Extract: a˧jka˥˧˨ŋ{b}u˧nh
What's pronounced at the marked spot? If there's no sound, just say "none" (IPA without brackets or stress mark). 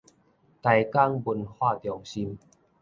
b